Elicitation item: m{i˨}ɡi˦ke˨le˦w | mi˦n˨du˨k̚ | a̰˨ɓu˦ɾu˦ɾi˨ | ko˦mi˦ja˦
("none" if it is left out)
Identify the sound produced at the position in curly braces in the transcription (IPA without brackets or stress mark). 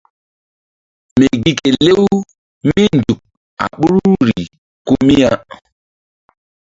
e˨